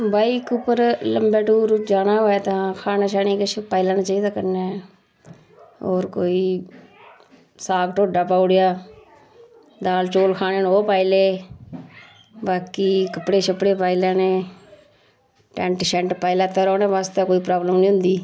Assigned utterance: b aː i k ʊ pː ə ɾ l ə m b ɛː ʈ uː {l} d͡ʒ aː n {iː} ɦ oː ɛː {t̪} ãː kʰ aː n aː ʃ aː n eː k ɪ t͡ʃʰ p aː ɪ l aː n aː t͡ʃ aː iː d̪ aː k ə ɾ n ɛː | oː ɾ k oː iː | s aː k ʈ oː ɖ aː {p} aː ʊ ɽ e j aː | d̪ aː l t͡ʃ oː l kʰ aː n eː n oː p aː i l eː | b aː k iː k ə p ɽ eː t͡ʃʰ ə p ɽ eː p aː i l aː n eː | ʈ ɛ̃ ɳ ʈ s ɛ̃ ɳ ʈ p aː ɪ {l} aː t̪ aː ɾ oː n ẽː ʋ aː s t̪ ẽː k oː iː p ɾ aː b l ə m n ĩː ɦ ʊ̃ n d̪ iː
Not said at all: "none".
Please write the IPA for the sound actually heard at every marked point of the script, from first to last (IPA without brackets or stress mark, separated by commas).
ɾ, aː, t̪, p, l